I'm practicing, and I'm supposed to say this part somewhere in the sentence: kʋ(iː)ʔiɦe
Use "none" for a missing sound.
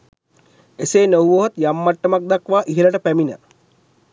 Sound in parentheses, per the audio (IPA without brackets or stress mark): aː